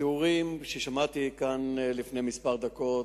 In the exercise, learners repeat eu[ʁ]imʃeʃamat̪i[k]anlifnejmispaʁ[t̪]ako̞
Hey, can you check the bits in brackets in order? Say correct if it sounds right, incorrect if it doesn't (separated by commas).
correct, correct, incorrect